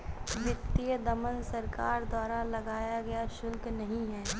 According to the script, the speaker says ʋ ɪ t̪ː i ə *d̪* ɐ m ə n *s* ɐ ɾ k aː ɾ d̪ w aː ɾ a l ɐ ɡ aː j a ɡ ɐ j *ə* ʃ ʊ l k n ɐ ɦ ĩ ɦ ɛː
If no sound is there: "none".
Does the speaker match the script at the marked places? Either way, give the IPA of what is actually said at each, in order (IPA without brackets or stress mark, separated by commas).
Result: d̪, s, a